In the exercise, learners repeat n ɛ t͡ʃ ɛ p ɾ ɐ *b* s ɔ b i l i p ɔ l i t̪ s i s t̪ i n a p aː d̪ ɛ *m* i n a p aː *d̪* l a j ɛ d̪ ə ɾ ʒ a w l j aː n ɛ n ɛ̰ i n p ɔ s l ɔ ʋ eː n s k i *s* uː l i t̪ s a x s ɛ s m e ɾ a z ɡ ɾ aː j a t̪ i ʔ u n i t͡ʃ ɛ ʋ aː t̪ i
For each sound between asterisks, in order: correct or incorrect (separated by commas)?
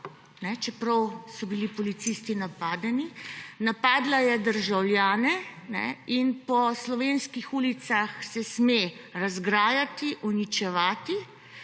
incorrect, incorrect, correct, incorrect